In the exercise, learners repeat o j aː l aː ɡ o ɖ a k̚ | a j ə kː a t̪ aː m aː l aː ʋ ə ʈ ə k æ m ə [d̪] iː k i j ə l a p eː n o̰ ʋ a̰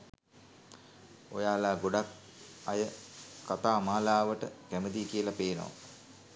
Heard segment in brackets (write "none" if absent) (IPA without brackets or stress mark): d̪